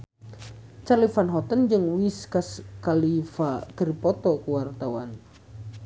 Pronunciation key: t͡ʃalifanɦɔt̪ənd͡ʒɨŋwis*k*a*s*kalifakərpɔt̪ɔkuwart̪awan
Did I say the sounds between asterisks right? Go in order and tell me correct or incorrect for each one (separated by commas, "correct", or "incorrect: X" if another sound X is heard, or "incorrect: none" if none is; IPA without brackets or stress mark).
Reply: correct, correct